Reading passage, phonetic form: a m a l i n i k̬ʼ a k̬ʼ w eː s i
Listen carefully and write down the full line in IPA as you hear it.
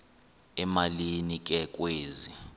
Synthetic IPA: ɛ m a l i n i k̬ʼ ɛ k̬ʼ w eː z i